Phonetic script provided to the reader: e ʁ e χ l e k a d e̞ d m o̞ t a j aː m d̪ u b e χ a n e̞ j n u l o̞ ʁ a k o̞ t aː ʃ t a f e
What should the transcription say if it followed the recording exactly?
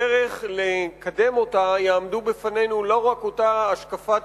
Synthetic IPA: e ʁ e χ l e k a d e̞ m o̞ t a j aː m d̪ u b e f a n e̞ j n u l o̞ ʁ a k o̞ t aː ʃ k a f a